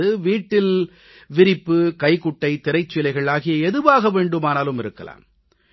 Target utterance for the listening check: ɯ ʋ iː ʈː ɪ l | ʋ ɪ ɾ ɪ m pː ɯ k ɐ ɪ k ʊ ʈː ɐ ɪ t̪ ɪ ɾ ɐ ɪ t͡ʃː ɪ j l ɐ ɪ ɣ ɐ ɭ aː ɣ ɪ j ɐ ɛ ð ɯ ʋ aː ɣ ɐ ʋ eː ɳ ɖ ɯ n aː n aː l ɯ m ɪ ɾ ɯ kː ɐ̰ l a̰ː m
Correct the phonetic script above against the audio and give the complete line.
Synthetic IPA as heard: ɯ ʋ iː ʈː ɪ l | ʋ ɪ ɾ ɪ pː ɯ k ɐ ɪ k ʊ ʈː ɐ ɪ t̪ ɪ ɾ ɐ ɪ t͡ʃː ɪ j l ɐ ɪ ɣ ɐ ɭ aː ɣ ɪ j ɐ ɛ ð ɯ ʋ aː ɣ ɐ ʋ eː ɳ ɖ ɯ m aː n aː l ɯ m ɪ ɾ ɯ kː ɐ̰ l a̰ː m

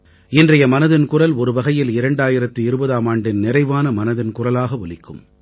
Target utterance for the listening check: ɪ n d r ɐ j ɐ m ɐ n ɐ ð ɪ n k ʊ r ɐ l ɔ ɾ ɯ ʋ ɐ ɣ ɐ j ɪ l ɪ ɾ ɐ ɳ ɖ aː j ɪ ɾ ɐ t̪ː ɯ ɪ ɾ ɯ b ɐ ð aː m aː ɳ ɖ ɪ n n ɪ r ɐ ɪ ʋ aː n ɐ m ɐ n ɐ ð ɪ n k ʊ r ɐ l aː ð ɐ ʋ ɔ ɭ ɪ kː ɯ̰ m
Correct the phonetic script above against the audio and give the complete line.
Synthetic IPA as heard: ɪ n d r ɐ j ɐ m ɐ n ɐ ð ɪ n k ʊ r ɐ l ɔ ɾ ɯ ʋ ɐ ɣ ɐ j ɪ l ɪ ɾ ɐ ɳ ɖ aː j ɪ ɾ ɐ t̪ː ɯ ɪ ɾ ɯ b ɐ ð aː m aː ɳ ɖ ɪ n n ɪ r ɐ ɪ ʋ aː n ɐ m ɐ n ɐ ð ɪ n k ʊ r ɐ l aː ɣ ɐ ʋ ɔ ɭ ɪ kː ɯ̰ m

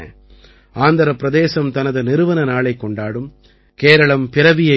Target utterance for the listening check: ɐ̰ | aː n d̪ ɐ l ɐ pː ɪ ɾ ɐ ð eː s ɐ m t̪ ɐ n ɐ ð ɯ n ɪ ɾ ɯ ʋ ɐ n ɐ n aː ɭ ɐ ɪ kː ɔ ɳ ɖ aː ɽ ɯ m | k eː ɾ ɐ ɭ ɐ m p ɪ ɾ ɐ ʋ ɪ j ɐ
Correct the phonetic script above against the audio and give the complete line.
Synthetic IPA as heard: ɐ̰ | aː n d̪ ɐ ɾ ɐ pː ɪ ɾ ɐ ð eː s ɐ m t̪ ɐ n ɐ ð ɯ n ɪ ɾ ɯ ʋ ɐ n ɐ n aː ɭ ɐ ɪ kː ɔ ɳ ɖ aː ɽ ɯ m | k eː ɾ ɐ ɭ ɐ m p ɪ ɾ ɐ ʋ ɪ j ɐ

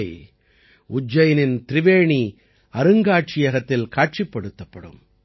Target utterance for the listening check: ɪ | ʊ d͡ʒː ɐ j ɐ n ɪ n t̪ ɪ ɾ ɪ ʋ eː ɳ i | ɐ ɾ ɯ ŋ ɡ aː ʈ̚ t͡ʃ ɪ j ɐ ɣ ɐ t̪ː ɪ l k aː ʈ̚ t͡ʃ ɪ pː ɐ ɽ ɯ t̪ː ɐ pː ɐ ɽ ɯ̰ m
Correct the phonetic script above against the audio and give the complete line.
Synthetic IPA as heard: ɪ | ʊ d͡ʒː ɐ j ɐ n ɪ n t̪ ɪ ɾ ɪ ʋ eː ɳ i | ɐ ɾ ɯ ŋ ɡ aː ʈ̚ t͡ʃ ɪ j ɐ ɣ ɐ t̪ː ɪ l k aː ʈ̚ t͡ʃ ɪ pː ɐ ɽ ɯ t̪ː ɐ pː ɐ ɽ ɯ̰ m

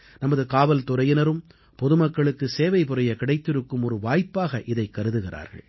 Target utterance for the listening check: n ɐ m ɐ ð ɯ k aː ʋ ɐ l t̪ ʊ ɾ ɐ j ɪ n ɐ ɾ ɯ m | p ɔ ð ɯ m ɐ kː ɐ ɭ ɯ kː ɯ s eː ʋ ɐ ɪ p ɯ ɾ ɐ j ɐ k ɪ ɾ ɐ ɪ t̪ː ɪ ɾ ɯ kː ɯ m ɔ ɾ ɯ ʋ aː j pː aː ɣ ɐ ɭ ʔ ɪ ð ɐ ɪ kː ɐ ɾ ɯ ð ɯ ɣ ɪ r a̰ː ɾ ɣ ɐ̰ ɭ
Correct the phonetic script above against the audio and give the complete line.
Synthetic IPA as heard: n ɐ m ɐ ð ɯ k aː ʋ ɐ l t̪ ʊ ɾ ɐ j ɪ n ɐ ɾ ɯ m | p ɔ ð ɯ m ɐ kː ɐ ɭ ɯ kː ɯ s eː ʋ ɐ ɪ p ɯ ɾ ɐ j ɐ k ɪ ɽ ɐ ɪ t̪ː ɪ ɾ ɯ kː ɯ m ɔ ɾ ɯ ʋ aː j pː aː ɣ ɐ ʔ ɪ ð ɐ ɪ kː ɐ ɾ ɯ ð ɯ ɣ ɪ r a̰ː ɾ ɣ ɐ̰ ɭ

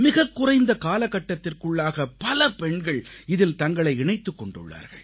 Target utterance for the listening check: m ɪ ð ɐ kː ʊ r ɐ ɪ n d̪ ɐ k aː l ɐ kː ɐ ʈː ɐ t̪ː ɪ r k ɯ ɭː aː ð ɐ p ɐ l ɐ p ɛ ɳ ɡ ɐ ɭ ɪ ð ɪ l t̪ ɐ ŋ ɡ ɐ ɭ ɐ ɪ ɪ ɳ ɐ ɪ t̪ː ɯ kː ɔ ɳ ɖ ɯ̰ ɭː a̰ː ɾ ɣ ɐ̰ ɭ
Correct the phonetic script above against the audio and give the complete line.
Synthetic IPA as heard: m ɪ ɣ ɐ kː ʊ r ɐ ɪ n d̪ ɐ k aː l ɐ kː ɐ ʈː ɐ t̪ː ɪ r k ɯ ɭː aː ɣ ɐ p ɐ l ɐ p ɛ ɳ ɡ ɐ ɭ ɪ ð ɪ l t̪ ɐ ŋ ɡ ɐ ɭ ɐ ɪ ɪ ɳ ɐ ɪ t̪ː ɯ kː ɔ ɳ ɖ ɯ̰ ɭː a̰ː ɾ ɣ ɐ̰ ɭ

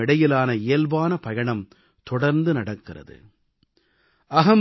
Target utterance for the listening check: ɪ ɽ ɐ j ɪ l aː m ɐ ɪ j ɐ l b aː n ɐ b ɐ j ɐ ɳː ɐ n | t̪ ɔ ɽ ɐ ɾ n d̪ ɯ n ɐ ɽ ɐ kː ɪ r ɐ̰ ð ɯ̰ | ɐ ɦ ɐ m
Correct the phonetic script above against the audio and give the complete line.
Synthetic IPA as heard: ɪ ɽ ɐ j ɪ l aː n ɐ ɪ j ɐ l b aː n ɐ p ɐ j ɐ ɳ ɐ m | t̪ ɔ ɽ ɐ ɾ n d̪ ɯ n ɐ ɽ ɐ kː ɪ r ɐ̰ ð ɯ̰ | ɐ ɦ ɐ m

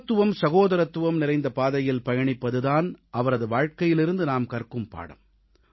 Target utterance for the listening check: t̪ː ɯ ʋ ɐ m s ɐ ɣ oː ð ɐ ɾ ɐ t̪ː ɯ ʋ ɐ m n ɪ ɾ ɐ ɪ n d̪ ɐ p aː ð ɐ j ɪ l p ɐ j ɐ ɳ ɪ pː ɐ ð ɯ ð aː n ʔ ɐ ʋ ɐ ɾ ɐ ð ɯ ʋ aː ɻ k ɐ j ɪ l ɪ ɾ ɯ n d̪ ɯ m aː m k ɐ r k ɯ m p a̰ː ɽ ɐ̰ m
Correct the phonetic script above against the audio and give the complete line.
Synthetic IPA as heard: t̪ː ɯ ʋ ɐ m s ɐ ɣ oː ð ɐ ɾ ɐ t̪ː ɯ ʋ ɐ m n ɪ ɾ ɐ ɪ n d̪ ɐ p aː ð ɐ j ɪ l p ɐ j ɐ ɳ ɪ pː ɐ ð ɯ ð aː n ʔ ɐ ʋ ɐ ɾ ɐ ð ɯ ʋ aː ɻ k ɐ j ɪ l ɪ ɾ ɯ n d̪ ɯ n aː m k ɐ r k ɯ m p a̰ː ɽ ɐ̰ m

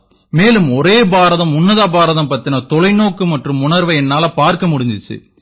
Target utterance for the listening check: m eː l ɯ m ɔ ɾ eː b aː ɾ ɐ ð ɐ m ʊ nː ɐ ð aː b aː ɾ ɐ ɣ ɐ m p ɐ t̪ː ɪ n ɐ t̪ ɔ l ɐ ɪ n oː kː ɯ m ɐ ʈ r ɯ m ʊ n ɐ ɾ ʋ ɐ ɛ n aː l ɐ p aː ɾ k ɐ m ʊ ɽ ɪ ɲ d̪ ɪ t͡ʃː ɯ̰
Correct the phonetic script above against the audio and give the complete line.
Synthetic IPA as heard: m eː l ɯ m ɔ ɾ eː b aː ɾ ɐ ð ɐ m ʊ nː ɐ ð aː b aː ɾ ɐ ð ɐ m p ɐ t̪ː ɪ n ɐ t̪ ɔ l ɐ ɪ n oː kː ɯ m ɐ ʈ r ɯ m ʊ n ɐ ɾ ʋ ɐ ɛ nː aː l ɐ p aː ɾ k ɐ m ʊ ɽ ɪ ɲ d̪ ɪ t͡ʃː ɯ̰

